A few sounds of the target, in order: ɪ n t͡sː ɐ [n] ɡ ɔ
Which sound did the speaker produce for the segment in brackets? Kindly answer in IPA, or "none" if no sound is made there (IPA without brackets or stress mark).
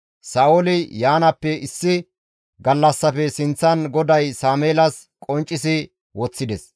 n